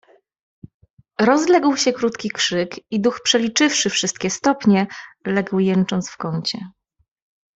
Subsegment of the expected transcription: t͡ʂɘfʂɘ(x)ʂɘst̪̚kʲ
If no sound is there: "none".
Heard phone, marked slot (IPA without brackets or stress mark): f